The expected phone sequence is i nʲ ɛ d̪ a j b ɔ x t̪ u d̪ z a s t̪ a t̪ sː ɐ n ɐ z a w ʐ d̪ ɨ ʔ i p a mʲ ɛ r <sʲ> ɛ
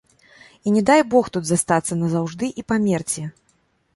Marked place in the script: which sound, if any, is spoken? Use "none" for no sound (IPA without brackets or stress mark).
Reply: t͡sʲ